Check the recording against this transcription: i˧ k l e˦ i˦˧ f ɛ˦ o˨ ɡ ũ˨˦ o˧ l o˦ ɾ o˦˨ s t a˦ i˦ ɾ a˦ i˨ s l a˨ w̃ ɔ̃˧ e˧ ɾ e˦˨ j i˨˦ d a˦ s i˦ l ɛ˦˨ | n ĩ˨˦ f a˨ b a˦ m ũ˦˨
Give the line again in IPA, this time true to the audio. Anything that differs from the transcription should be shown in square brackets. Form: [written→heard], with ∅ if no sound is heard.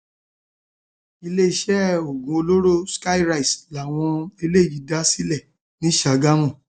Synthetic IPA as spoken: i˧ [k→∅] l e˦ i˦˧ [f→ʃ] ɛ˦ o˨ ɡ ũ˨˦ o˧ l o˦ ɾ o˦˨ s [t→k] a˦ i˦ ɾ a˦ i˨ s l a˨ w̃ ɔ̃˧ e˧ [ɾ→l] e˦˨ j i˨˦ d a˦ s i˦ l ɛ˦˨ | n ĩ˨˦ [f→ʃ] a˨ [b→ɡ] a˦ m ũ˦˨